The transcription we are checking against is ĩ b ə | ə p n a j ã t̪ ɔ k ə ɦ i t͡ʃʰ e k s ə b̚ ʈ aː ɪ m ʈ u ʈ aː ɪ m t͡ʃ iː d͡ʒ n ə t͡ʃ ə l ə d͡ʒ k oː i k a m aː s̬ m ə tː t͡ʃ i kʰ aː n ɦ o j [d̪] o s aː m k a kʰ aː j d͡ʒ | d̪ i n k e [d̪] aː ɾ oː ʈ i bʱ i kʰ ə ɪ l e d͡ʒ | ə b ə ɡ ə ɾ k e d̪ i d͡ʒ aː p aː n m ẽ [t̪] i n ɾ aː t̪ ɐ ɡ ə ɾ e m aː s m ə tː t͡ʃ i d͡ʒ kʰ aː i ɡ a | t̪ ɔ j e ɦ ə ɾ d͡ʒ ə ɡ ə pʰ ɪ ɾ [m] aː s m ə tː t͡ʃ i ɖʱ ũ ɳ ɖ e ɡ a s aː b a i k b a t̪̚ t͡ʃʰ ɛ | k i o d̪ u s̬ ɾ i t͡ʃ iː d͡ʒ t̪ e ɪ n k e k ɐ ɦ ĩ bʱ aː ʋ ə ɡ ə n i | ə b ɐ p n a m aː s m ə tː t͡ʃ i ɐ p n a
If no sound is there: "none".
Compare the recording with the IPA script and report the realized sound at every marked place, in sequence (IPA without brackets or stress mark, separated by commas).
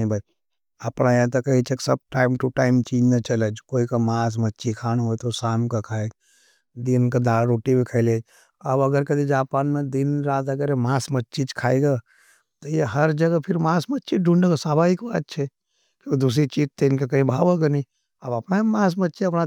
t̪, d̪, d̪, m